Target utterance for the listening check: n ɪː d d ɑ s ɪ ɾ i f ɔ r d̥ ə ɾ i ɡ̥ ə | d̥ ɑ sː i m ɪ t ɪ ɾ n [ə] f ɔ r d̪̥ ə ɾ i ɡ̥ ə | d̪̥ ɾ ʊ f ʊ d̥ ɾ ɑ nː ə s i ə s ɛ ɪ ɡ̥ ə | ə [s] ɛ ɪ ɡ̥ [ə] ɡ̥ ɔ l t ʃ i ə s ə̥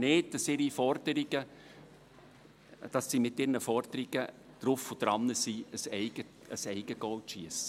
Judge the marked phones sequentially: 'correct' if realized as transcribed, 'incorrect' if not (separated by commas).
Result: correct, correct, correct